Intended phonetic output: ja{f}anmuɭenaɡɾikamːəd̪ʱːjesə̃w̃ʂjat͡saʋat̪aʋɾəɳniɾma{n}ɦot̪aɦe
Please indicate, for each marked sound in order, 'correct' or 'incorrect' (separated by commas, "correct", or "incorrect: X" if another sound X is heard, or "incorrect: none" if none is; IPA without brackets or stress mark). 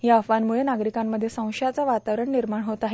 correct, incorrect: ɳ